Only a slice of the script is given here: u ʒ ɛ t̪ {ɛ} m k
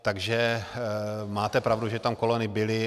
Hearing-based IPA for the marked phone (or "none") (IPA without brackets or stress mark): a